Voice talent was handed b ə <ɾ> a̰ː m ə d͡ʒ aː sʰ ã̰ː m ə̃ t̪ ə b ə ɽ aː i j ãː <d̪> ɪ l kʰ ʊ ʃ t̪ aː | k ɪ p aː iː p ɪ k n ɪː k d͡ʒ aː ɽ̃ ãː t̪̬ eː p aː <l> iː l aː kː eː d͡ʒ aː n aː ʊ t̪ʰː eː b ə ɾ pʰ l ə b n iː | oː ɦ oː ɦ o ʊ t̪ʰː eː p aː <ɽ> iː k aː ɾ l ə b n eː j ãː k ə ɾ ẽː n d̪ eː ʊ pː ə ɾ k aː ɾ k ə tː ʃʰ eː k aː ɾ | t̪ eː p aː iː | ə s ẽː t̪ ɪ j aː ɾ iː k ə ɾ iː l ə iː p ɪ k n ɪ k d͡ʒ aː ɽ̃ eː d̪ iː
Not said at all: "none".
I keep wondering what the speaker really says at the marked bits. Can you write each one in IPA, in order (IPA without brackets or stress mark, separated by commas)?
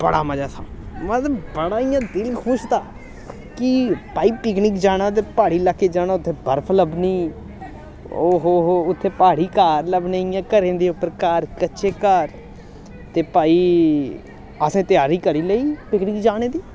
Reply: ɽ, d̪, ɽ, ɽ